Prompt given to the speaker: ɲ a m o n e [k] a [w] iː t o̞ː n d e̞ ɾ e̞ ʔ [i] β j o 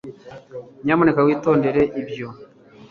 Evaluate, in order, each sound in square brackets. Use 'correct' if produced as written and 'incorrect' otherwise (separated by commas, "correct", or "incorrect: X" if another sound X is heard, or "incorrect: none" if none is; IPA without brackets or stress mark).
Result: correct, correct, correct